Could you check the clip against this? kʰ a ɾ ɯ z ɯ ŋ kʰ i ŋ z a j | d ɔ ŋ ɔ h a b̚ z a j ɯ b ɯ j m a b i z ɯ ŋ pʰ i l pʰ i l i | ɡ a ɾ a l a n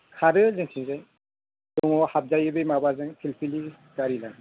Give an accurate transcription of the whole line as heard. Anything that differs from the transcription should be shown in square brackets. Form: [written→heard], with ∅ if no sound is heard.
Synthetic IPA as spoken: kʰ a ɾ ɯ z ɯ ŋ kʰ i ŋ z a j | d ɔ ŋ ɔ h a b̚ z a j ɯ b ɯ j m a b [i→a] z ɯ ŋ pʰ i l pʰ i l i | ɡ a ɾ [a→i] l a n